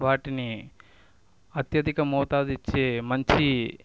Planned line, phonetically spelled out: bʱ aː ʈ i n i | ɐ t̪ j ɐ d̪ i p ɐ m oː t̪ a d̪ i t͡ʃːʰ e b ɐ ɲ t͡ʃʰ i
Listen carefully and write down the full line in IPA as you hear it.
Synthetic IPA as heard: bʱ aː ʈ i n i | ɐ t̪ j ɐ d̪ i k ɐ m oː t̪ a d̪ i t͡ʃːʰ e m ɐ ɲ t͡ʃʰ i